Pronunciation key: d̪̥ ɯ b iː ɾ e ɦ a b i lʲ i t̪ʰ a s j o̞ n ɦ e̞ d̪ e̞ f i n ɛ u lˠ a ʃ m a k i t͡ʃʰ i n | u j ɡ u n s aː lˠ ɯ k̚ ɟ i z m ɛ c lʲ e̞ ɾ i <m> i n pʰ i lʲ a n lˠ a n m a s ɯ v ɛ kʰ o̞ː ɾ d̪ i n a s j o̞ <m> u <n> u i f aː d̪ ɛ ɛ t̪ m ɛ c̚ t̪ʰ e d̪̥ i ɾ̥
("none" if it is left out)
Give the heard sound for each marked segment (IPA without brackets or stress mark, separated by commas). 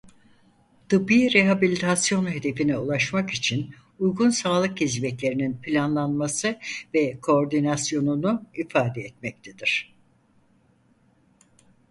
n, n, n